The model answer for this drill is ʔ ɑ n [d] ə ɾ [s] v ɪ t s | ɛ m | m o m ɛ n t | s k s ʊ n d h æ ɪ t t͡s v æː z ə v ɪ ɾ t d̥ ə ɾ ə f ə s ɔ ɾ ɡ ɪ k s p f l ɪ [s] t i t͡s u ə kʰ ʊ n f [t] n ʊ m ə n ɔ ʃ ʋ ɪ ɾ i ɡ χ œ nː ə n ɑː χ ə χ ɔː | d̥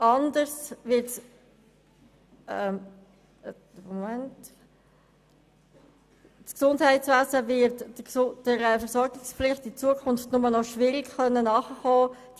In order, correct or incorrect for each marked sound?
correct, correct, incorrect, correct

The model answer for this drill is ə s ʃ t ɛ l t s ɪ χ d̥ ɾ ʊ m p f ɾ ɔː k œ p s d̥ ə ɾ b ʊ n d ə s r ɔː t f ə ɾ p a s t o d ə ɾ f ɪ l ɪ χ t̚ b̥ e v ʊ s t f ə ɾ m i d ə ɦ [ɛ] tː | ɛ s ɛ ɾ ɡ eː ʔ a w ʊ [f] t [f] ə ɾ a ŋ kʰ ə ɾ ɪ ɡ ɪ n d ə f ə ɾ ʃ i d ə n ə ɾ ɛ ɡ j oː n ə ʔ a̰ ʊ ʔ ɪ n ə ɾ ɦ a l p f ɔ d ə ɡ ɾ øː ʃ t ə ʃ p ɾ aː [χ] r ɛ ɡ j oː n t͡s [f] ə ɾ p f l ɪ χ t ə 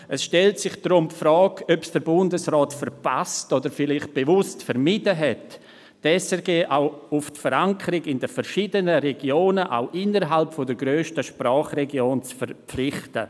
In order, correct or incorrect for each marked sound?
correct, correct, correct, correct, correct

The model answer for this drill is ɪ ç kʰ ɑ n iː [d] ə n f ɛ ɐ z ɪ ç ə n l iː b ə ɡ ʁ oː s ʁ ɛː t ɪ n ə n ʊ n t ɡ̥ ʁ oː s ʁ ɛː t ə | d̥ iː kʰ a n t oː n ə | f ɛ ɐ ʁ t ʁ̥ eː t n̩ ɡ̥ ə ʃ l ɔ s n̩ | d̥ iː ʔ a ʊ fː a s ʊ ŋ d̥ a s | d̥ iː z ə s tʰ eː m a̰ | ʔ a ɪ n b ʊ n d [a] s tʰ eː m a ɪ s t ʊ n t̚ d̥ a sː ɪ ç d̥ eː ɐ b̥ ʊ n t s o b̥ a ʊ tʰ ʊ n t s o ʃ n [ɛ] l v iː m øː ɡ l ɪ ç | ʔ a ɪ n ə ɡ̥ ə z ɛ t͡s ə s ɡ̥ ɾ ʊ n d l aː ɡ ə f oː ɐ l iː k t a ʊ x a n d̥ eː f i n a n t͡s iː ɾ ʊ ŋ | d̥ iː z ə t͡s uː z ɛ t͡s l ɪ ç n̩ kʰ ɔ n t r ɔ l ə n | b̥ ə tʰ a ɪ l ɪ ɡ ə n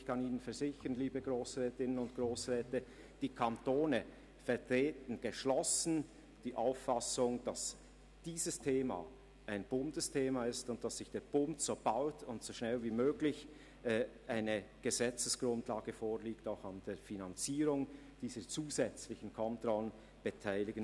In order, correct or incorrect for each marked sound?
incorrect, incorrect, correct

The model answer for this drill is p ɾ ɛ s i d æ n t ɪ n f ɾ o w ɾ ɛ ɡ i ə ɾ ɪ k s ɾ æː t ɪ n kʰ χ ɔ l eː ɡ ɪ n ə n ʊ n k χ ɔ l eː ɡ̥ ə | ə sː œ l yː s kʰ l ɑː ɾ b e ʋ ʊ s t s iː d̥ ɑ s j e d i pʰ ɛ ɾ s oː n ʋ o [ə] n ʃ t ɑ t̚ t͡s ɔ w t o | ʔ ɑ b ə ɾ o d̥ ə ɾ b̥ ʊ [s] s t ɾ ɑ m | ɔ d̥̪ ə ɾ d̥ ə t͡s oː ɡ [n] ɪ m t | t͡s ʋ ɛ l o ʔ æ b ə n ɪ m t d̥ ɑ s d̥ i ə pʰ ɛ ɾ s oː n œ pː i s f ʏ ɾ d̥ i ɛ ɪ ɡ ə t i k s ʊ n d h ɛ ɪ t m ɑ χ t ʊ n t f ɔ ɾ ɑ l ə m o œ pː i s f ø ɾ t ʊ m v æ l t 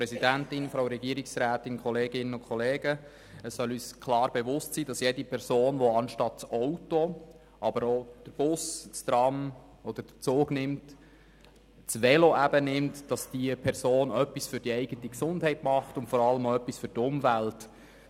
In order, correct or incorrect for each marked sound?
incorrect, correct, correct

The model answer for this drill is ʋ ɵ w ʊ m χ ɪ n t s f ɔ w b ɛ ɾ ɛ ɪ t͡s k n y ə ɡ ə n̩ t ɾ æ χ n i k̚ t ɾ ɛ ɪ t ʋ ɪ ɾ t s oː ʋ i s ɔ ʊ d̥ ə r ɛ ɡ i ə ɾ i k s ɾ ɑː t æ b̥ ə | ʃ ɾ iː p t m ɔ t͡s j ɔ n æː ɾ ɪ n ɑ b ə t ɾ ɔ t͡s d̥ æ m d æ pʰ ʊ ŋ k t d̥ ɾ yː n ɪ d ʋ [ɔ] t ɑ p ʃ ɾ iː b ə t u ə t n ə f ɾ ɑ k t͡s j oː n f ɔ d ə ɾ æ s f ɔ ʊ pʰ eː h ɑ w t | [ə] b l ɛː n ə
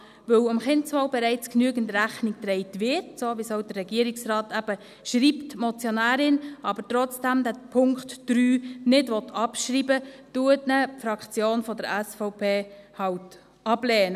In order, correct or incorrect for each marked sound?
correct, incorrect

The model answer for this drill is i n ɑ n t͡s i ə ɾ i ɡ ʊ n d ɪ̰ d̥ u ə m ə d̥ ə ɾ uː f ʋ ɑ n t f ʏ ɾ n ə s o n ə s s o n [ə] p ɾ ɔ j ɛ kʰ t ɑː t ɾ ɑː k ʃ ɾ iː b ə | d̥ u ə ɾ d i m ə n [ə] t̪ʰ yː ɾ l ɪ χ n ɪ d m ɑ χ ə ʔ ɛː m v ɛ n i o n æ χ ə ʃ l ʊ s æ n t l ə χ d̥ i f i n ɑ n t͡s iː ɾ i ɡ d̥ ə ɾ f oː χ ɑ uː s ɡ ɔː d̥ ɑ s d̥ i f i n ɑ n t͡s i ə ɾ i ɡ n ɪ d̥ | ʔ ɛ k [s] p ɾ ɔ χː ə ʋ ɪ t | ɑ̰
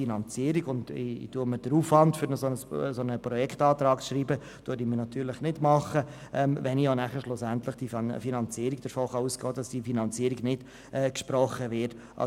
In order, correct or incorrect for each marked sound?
correct, incorrect, incorrect

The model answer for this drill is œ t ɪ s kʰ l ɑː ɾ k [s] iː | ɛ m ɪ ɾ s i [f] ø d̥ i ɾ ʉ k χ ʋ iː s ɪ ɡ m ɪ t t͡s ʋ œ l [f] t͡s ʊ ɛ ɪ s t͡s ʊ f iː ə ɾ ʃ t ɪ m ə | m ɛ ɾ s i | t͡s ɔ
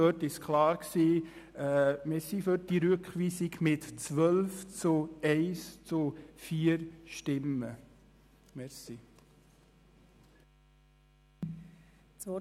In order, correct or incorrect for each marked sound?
correct, correct, correct

